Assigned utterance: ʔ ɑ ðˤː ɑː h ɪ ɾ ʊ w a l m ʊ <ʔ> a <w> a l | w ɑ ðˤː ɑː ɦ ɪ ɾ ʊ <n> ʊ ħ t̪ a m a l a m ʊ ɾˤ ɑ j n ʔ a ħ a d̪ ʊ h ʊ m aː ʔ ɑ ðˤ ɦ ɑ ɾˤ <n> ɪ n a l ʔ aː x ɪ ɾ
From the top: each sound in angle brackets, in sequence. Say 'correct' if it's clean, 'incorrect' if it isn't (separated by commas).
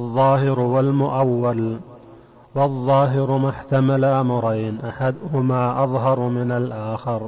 correct, incorrect, incorrect, incorrect